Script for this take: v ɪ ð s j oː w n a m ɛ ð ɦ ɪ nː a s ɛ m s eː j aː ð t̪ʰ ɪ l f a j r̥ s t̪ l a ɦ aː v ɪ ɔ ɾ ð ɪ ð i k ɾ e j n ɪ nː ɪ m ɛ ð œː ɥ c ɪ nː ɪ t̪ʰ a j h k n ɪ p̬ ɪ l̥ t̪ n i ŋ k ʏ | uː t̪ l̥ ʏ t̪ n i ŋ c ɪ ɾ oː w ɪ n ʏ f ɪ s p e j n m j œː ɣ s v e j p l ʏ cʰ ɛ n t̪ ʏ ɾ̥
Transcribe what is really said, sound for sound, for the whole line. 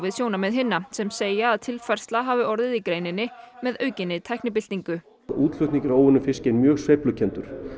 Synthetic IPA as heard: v ɪ ð s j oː w n a m ɛ ð ɦ ɪ nː a s ɛ m s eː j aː ð t̪ʰ ɪ l f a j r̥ s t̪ l a ɦ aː v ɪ ɔ ɾ ð ɪ ð i k ɾ e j n ɪ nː ɪ m ɛ ð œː ɥ c ɪ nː ɪ t̪ʰ a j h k n ɪ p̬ ɪ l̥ t̪ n i ŋ k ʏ | uː t̪ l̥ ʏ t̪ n i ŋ c ɪ ɾ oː w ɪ n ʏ f ɪ s c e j n m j œː ɣ s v e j p l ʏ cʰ ɛ n t̪ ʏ ɾ̥